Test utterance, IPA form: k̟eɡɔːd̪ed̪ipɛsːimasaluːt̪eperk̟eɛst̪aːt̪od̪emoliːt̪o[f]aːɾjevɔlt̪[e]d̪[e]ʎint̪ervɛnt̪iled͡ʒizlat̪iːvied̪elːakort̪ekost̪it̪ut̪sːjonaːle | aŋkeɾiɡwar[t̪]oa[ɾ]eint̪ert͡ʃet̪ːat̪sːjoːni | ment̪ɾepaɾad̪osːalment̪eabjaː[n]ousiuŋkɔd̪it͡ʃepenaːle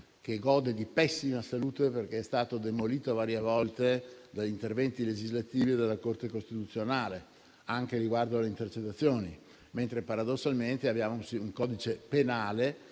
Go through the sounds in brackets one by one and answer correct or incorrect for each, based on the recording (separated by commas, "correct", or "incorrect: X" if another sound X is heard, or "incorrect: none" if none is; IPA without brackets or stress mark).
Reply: incorrect: v, correct, incorrect: a, incorrect: d̪, incorrect: l, incorrect: m